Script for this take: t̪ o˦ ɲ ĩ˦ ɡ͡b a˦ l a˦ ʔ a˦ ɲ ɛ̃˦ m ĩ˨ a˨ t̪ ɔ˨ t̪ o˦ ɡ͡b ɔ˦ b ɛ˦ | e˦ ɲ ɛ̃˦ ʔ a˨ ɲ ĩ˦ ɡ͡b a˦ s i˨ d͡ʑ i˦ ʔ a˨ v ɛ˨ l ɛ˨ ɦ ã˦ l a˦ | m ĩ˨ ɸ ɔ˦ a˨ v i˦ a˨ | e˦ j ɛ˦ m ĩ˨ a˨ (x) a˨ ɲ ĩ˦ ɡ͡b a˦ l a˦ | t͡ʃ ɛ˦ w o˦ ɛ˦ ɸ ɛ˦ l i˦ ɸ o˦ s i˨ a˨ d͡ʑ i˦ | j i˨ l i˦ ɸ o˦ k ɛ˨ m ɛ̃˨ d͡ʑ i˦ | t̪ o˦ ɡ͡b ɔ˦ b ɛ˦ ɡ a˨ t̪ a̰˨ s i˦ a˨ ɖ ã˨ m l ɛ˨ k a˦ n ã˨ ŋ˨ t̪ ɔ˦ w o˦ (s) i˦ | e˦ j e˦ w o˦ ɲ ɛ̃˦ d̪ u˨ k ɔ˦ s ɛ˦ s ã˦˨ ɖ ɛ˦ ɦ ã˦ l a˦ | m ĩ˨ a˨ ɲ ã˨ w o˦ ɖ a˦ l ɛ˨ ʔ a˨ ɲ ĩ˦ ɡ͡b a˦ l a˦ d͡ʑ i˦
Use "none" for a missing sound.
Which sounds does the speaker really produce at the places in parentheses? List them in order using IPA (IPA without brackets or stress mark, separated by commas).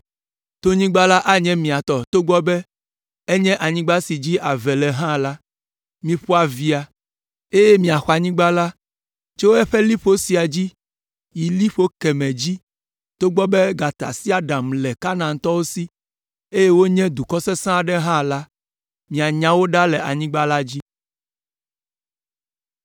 x, s